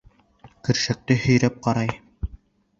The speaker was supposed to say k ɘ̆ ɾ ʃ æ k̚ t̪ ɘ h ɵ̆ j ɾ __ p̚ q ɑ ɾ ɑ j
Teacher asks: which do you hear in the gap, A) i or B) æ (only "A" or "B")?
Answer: B